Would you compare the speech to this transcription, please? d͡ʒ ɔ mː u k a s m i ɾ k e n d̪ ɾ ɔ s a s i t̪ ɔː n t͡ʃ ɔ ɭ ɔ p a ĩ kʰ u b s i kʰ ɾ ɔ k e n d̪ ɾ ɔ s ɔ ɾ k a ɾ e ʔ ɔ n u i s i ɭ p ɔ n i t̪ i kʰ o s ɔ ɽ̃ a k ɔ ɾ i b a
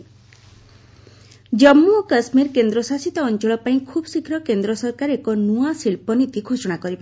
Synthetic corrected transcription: d͡ʒ ɔ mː u k a s m i ɾ k e n d̪ ɾ ɔ s a s i t̪ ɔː n t͡ʃ ɔ ɭ ɔ p a ĩ kʰ u b s i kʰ ɾ ɔ k e n d̪ ɾ ɔ s ɔ ɾ k a ɾ e k ɔ n u a s i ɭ p ɔ n i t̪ i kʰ o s ɔ ɽ̃ a k ɔ ɾ i b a

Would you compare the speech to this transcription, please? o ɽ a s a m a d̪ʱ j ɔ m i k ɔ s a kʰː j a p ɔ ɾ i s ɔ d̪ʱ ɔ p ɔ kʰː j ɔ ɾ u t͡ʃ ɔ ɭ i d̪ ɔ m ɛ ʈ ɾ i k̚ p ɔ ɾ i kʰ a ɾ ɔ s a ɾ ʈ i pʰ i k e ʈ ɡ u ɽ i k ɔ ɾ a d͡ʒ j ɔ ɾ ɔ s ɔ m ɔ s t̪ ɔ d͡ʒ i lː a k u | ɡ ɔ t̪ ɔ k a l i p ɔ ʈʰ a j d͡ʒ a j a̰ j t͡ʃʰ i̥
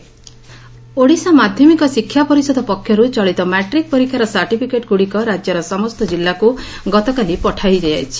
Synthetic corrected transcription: o ɽ i s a m a d̪ʱ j ɔ m i k ɔ s i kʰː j a p ɔ ɾ i s ɔ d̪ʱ ɔ p ɔ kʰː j ɔ ɾ u t͡ʃ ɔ ɭ i t̪ ɔ m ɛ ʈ ɾ i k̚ p ɔ ɾ i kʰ a ɾ ɔ s a ɾ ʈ i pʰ i k e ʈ ɡ u ɽ i k ɔ ɾ a d͡ʒ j ɔ ɾ ɔ s ɔ m ɔ s t̪ ɔ d͡ʒ i lː a k u | ɡ ɔ t̪ ɔ k a l i p ɔ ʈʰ a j d͡ʒ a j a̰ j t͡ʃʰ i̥

